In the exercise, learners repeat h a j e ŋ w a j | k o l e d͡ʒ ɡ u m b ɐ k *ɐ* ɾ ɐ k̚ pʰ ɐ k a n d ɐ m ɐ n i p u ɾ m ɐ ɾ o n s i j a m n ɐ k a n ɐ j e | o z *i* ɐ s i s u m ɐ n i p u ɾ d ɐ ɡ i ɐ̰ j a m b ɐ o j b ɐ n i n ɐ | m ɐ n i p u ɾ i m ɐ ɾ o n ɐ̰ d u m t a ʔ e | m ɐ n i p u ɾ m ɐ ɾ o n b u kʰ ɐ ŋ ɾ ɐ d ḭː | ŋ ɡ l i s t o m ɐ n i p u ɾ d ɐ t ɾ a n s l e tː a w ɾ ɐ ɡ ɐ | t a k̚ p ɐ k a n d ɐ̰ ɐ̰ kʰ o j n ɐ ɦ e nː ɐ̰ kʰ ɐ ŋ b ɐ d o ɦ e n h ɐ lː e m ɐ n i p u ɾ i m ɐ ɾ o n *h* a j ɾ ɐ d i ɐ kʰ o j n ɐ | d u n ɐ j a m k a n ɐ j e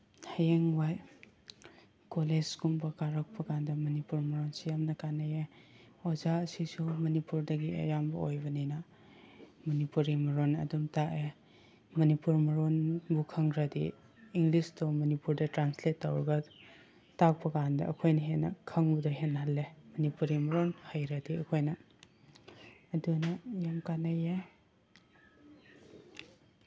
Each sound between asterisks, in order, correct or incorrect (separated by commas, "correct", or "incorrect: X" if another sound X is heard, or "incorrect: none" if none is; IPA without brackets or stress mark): incorrect: a, incorrect: a, correct